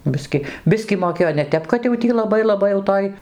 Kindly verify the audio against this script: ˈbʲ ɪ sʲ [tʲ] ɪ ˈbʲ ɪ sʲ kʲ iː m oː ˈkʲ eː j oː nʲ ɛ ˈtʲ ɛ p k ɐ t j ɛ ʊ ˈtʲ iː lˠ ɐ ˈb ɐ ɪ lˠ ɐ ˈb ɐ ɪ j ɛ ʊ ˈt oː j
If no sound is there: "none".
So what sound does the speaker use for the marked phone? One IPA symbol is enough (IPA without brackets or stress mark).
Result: kʲ